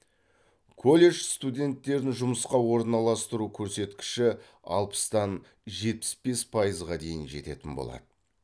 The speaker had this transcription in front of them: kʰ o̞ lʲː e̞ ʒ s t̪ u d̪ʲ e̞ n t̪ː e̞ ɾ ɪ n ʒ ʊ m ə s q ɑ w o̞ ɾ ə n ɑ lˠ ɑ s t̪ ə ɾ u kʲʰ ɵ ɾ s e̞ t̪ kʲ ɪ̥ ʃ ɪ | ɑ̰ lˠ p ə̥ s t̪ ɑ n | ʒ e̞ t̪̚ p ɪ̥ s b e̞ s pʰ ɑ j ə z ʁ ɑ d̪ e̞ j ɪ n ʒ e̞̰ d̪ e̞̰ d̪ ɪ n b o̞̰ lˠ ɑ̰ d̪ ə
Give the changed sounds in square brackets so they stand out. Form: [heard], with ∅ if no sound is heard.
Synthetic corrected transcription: kʰ o̞ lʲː e̞ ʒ s t̪ u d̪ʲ e̞ n t̪ː e̞ ɾ ɪ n ʒ ʊ m ə s q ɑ w o̞ ɾ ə n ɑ lˠ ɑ s t̪ ə ɾ u kʲʰ ɵ ɾ s e̞ t̪ kʲ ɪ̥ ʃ ɪ | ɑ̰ lˠ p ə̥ s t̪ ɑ n | ʒ e̞ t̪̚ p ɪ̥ s b e̞ s pʰ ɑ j ə z ʁ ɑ d̪ e̞ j ɪ n ʒ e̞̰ [t̪] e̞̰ [t̪] ɪ n b o̞̰ lˠ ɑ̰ d̪ ə